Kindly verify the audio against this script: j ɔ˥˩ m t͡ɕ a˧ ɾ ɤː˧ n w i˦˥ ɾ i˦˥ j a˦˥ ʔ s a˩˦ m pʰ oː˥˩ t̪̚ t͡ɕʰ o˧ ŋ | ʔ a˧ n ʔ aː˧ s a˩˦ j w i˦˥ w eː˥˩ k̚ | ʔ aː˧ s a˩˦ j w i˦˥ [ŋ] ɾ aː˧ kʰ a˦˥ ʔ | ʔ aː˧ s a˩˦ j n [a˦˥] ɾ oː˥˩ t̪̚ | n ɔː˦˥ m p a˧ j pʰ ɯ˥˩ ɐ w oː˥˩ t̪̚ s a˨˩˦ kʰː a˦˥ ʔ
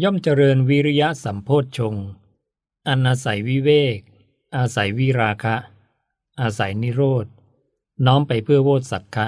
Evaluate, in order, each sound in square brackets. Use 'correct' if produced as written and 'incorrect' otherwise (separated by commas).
incorrect, incorrect